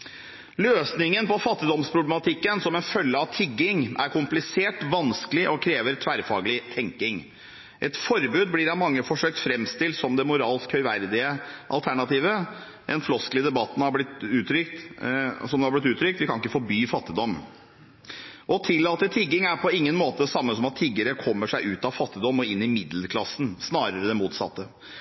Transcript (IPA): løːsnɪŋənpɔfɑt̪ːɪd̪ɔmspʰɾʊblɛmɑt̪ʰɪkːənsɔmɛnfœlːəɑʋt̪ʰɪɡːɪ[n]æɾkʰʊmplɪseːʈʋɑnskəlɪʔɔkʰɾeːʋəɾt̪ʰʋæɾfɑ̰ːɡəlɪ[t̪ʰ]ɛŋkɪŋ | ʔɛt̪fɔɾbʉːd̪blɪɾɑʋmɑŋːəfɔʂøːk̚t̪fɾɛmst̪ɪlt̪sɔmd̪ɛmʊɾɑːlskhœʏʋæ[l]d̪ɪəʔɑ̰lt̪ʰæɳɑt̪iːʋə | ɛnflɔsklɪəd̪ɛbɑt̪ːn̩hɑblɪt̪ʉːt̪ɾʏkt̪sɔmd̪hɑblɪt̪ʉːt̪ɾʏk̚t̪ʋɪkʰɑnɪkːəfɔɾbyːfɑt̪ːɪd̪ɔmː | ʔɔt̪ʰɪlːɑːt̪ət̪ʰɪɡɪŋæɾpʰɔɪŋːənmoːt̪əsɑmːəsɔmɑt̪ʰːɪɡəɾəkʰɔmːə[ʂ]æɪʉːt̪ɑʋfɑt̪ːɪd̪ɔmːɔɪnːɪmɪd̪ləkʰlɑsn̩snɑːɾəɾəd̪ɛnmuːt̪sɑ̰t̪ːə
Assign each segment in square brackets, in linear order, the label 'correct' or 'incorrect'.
incorrect: ŋ, correct, incorrect: ɾ, correct

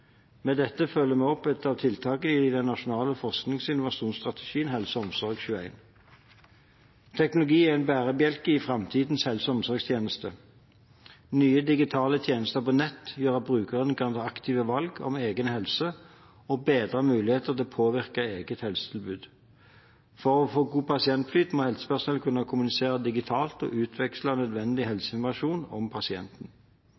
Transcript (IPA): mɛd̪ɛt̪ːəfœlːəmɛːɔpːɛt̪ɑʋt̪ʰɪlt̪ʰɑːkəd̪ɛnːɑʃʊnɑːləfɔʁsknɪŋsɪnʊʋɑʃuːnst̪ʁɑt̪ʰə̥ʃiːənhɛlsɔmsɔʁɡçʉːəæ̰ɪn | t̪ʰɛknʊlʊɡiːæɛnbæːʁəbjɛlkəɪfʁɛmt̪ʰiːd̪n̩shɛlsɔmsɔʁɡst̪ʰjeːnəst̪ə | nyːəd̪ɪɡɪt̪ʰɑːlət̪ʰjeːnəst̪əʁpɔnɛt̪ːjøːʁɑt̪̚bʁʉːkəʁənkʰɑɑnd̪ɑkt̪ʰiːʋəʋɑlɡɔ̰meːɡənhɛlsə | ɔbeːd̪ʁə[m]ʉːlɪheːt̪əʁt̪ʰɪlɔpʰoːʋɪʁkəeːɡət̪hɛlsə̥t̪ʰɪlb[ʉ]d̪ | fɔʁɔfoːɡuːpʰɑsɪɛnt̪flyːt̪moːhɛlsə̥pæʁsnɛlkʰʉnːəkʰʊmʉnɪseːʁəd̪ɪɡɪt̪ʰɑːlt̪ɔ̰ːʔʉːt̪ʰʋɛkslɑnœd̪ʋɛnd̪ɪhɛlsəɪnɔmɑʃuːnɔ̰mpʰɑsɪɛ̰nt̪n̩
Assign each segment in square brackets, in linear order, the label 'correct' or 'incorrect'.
correct, incorrect: ʉː

